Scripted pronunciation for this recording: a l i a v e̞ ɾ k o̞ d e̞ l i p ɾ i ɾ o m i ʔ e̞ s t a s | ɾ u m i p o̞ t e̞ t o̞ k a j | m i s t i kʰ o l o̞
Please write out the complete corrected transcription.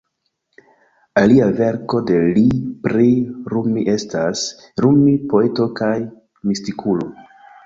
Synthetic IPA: a l i a v e̞ ɾ k o̞ d e̞ l i p ɾ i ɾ u m i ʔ e̞ s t a s | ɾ u m i p o̞ e̞ t o̞ k a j | m i s t i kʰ u l o̞